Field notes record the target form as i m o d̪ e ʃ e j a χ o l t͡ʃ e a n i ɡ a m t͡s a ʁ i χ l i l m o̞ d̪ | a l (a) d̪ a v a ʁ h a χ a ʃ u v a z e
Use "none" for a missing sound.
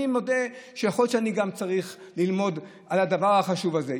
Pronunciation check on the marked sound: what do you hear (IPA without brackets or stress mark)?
a